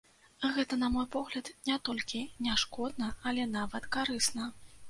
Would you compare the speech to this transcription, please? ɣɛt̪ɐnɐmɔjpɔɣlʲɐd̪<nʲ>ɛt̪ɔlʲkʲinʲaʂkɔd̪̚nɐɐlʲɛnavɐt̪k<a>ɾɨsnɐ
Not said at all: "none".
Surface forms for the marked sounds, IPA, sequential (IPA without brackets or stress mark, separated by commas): nʲ, a